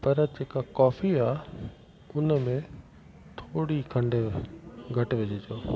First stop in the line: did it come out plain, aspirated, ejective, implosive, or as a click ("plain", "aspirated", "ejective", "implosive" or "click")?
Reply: plain